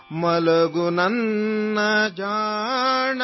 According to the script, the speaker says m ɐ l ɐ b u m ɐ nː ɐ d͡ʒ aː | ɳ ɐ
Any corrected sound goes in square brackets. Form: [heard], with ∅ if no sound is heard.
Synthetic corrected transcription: m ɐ l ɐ [ɡ] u [n] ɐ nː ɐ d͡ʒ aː | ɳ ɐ

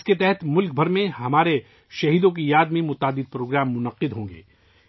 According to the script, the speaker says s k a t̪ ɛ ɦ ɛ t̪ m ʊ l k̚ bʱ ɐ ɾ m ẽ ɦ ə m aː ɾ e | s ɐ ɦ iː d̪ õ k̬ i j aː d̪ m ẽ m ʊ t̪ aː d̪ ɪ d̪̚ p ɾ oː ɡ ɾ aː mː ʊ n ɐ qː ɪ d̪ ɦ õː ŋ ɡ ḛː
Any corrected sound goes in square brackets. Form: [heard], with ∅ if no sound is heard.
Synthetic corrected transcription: s k [e] t̪ ɛ ɦ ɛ t̪ m ʊ l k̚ bʱ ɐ ɾ m ẽ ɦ [ɐ] m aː ɾ e | [ʃ] ɐ ɦ iː d̪ õ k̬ i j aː d̪ m ẽ m ʊ t̪ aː d̪ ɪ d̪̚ p ɾ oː ɡ ɾ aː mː ʊ n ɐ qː ɪ d̪ ɦ õː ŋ ɡ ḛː

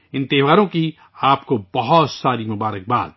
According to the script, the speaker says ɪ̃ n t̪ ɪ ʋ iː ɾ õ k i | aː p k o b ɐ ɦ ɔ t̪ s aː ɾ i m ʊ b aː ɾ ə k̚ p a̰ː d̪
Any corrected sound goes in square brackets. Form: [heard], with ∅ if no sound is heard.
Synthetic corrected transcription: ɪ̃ n t̪ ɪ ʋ [aː] ɾ õ k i | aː p k o b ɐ ɦ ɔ t̪ s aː ɾ i m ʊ b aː ɾ ə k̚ [b] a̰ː d̪

